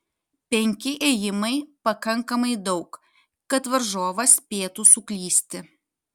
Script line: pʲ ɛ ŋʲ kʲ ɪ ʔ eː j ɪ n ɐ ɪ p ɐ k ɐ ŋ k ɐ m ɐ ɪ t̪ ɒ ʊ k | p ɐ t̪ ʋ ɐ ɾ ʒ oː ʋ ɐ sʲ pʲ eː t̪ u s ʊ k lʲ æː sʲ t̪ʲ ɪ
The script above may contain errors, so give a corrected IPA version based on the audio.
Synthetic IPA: pʲ ɛ ŋʲ kʲ ɪ ʔ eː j ɪ m ɐ ɪ p ɐ k ɐ ŋ k ɐ m ɐ ɪ d̪ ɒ ʊ k | k ɐ t̪ ʋ ɐ ɾ ʒ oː ʋ ɐ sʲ pʲ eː t̪ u s ʊ k lʲ iː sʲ t̪ʲ ɪ